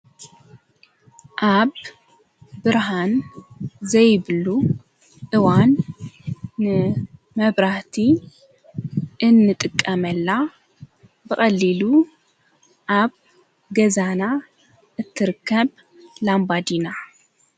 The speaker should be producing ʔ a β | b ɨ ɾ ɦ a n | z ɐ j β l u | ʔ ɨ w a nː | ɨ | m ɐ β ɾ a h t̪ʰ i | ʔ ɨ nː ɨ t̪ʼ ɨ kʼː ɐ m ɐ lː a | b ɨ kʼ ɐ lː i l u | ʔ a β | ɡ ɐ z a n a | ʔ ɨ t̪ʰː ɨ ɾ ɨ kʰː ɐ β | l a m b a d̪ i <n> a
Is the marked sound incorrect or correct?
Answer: correct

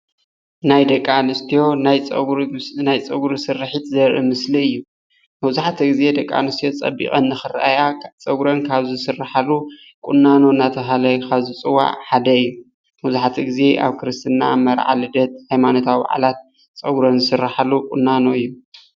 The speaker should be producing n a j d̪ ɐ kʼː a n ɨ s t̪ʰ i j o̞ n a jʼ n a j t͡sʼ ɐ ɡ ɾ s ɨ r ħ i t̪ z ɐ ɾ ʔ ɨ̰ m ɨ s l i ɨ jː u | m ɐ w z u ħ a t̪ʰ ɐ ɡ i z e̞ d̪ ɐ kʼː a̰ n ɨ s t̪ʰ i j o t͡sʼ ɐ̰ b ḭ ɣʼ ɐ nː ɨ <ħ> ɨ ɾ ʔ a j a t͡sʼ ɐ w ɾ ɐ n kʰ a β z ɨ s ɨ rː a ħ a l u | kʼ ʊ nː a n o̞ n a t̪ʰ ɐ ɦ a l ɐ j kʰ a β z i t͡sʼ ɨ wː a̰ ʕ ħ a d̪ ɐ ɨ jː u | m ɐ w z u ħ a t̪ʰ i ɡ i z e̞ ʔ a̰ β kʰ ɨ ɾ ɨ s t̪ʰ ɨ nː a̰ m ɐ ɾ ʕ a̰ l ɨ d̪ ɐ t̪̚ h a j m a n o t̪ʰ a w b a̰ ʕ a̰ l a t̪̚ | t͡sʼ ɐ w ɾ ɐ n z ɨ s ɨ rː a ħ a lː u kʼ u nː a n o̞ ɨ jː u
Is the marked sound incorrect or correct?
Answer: incorrect: x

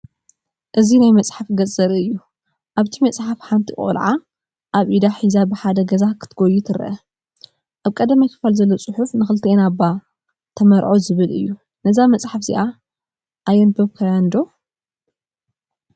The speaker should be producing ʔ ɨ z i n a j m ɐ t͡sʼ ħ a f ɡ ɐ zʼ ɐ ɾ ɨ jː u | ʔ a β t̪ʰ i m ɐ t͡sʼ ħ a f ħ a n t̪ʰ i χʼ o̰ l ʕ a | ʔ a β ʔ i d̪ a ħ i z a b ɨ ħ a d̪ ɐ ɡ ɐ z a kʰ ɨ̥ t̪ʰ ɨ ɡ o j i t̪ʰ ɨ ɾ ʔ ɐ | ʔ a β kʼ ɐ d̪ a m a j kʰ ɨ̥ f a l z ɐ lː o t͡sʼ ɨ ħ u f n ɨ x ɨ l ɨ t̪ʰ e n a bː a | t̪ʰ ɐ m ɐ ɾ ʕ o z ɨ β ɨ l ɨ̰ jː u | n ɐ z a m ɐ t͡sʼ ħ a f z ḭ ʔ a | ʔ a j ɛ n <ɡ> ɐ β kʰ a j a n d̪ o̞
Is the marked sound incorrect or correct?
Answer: incorrect: b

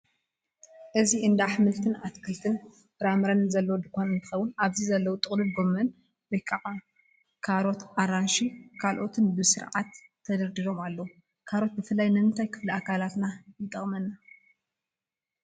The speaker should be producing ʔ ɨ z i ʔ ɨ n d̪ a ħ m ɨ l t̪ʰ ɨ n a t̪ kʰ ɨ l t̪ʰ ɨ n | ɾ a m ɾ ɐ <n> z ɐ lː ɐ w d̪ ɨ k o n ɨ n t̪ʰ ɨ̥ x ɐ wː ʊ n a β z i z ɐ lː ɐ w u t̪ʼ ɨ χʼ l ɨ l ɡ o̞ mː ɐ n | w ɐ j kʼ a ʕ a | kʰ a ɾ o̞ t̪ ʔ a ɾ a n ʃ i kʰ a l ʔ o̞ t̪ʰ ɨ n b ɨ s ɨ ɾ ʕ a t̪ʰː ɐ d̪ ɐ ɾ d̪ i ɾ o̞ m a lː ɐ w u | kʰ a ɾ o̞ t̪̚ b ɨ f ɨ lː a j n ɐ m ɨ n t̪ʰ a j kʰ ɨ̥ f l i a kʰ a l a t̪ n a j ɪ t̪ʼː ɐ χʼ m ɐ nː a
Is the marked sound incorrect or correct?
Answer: correct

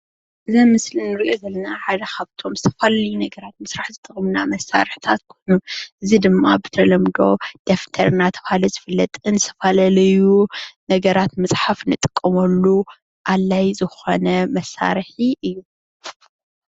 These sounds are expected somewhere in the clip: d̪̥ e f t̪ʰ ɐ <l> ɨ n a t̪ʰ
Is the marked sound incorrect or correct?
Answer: incorrect: ɾ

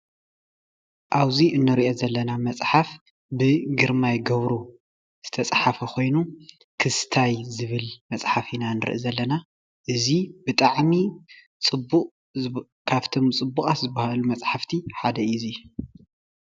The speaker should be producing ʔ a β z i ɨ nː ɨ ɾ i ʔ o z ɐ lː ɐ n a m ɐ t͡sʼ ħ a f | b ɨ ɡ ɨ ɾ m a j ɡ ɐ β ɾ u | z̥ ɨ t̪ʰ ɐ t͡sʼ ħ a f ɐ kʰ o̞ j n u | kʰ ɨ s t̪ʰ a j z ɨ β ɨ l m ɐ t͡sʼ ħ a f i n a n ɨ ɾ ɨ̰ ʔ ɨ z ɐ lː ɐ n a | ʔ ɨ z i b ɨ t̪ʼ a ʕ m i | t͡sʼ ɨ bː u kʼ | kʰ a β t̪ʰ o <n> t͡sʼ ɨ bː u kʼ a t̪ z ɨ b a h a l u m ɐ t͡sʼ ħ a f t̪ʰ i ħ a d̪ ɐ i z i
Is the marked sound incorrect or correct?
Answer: incorrect: m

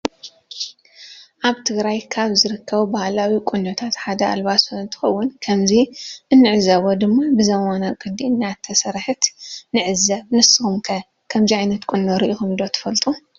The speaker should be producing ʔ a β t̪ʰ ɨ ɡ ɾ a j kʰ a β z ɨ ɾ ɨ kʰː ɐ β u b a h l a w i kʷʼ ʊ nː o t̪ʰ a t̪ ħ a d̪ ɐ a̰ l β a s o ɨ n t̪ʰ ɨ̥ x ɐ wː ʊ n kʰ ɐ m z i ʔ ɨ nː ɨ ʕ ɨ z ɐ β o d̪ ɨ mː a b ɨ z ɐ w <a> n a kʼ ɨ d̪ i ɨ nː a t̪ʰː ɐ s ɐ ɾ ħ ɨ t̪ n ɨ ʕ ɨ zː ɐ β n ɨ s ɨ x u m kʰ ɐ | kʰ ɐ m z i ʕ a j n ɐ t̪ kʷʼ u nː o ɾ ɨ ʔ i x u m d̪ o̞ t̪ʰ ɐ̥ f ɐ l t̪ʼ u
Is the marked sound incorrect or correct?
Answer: correct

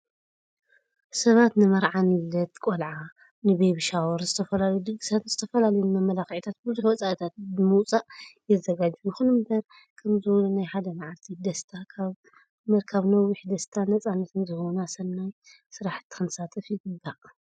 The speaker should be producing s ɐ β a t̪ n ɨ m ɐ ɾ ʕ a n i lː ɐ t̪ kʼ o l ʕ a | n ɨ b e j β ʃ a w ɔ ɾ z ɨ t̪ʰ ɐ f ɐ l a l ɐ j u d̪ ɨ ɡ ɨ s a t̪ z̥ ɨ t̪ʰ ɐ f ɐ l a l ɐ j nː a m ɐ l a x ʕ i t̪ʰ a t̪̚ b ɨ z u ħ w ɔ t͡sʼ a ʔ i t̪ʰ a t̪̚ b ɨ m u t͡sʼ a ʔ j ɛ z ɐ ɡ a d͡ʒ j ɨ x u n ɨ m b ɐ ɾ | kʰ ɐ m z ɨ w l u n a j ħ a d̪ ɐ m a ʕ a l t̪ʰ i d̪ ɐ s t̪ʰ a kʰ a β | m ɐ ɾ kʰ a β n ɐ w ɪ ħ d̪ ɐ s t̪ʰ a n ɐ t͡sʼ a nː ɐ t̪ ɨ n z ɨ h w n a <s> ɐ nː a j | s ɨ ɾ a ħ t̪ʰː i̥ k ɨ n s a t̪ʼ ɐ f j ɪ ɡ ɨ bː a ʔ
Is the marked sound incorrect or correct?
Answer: correct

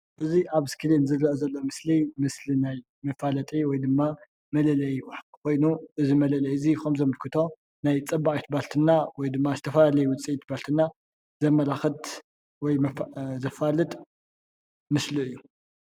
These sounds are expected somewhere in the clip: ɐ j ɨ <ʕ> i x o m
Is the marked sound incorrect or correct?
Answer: incorrect: z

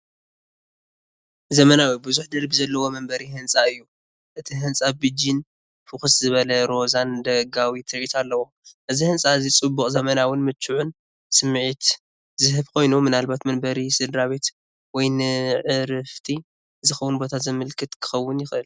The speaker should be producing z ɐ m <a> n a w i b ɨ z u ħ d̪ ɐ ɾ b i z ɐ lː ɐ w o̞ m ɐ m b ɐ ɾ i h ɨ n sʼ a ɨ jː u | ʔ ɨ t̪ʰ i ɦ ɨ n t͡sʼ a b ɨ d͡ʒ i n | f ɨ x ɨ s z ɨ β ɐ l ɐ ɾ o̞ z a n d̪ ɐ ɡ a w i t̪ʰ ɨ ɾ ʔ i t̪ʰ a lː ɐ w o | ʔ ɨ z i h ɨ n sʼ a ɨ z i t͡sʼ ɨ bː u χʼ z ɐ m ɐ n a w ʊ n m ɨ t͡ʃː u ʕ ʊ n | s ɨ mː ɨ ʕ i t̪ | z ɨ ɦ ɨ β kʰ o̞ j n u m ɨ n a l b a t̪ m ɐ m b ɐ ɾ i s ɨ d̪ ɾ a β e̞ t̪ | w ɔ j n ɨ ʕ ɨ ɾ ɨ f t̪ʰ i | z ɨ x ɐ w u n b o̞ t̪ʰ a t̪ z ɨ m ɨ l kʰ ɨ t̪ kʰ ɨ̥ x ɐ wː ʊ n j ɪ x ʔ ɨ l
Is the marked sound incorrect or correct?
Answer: incorrect: ɐ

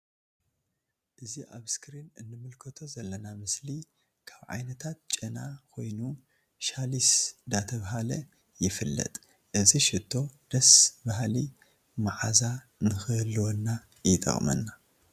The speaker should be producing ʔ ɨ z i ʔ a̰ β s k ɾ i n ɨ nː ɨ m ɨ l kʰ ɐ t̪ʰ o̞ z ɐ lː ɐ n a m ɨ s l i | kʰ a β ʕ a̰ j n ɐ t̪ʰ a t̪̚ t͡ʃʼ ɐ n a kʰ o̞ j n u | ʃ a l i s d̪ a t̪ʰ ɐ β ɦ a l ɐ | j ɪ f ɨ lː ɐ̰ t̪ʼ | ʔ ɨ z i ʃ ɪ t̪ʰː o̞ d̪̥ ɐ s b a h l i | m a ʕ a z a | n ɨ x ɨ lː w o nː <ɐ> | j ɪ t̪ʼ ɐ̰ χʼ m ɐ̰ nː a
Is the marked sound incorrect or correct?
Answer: incorrect: a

